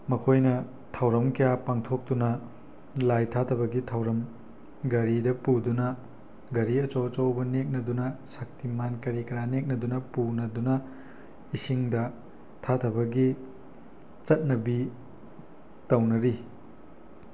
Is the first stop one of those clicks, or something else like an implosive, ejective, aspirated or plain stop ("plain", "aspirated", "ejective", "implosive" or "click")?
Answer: aspirated